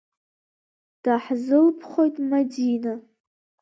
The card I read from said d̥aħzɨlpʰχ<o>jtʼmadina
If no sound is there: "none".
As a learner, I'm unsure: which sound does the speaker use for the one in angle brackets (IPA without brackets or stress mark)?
o